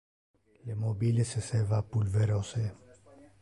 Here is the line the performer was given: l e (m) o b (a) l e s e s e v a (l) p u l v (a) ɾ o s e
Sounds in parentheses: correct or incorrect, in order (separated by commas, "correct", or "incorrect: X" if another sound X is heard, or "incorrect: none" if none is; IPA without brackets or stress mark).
correct, incorrect: i, incorrect: none, incorrect: e